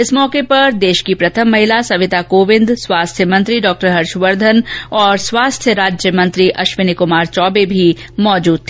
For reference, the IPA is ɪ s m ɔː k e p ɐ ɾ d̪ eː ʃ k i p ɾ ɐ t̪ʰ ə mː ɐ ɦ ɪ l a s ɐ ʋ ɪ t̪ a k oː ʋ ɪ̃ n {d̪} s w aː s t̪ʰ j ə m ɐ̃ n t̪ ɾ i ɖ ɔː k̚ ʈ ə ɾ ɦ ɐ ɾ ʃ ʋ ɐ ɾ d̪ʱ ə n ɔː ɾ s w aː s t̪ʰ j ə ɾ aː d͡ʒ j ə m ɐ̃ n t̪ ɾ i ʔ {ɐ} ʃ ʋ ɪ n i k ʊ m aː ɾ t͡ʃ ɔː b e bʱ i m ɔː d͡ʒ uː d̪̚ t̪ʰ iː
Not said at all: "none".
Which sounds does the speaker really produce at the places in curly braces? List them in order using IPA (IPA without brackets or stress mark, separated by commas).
d̪, ɐ